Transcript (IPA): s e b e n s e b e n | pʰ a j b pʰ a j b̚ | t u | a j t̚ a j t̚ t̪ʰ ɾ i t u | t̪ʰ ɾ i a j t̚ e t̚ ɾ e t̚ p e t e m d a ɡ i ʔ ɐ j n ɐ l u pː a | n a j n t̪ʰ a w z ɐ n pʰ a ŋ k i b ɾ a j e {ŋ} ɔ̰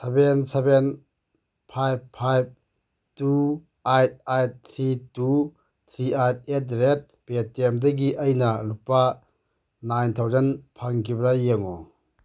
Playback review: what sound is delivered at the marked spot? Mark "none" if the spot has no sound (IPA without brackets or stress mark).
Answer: ŋ